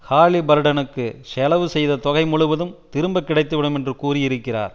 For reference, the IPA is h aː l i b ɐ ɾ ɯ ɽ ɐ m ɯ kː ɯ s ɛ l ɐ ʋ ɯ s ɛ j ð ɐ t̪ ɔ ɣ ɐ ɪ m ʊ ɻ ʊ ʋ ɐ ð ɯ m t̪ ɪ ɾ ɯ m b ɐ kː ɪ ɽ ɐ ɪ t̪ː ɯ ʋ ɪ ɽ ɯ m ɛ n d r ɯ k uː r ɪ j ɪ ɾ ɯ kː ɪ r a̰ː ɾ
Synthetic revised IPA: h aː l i b ɐ ɾ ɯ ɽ ɐ n ɯ kː ɯ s ɛ l ɐ ʋ ɯ s ɛ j ð ɐ t̪ ɔ ɣ ɐ ɪ m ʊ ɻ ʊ ʋ ɐ ð ɯ m t̪ ɪ ɾ ɯ m b ɐ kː ɪ ɽ ɐ ɪ t̪ː ɯ ʋ ɪ ɽ ɯ m ɛ n d r ɯ k uː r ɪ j ɪ ɾ ɯ kː ɪ r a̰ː ɾ